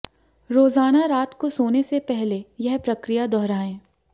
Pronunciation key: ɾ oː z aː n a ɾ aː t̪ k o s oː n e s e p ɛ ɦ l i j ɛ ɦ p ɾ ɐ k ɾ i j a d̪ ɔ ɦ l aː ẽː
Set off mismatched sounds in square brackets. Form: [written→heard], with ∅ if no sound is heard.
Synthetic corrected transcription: ɾ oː z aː n a ɾ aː t̪ k o s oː n e s e p ɛ ɦ l [i→e] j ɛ ɦ p ɾ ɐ k ɾ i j a d̪ ɔ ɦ [l→ɾ] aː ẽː